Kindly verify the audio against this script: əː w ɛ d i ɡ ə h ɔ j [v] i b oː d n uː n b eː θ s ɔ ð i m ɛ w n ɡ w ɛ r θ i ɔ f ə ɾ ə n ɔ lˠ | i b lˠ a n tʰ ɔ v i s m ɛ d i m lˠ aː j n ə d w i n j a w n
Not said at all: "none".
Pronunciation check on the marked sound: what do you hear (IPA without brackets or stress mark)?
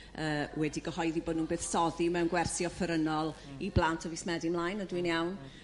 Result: ð